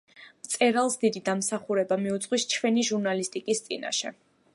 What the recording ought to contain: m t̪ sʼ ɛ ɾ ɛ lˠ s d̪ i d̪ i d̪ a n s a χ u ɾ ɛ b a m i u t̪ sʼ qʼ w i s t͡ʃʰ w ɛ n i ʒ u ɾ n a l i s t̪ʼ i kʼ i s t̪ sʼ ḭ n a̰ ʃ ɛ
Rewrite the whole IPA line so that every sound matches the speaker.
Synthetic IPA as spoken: m t̪ sʼ ɛ ɾ a lˠ s d̪ i d̪ i d̪ a m s a χ u ɾ ɛ b a m i u t̪ sʼ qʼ w i s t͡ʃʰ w ɛ n i ʒ u ɾ n a l i s t̪ʼ i kʼ i s t̪ sʼ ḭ n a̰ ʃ ɛ